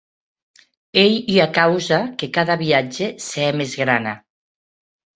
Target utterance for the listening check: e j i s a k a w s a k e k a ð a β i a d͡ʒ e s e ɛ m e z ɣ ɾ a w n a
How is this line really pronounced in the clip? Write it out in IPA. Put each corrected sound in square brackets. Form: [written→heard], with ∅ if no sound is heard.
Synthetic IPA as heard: e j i [s→∅] a k a w [s→z] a k e k a ð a β i a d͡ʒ e s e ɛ m e z ɣ ɾ a [w→∅] n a